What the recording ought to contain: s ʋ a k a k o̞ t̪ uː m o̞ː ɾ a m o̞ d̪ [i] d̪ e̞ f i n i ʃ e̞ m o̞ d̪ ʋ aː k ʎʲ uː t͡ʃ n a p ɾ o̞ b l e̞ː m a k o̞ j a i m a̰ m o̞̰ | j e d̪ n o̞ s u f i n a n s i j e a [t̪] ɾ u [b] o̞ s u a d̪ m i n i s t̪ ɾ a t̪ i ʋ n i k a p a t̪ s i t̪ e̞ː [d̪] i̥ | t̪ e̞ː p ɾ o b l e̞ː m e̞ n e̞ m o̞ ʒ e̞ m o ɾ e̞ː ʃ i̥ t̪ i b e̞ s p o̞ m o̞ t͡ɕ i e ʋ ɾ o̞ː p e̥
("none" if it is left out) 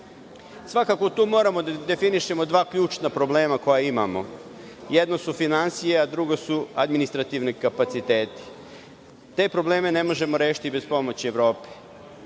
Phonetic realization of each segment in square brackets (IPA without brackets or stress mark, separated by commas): a, d̪, ɡ, t̪